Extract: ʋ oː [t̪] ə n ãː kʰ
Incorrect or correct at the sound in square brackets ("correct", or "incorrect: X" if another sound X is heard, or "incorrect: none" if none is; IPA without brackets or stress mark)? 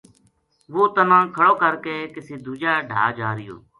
correct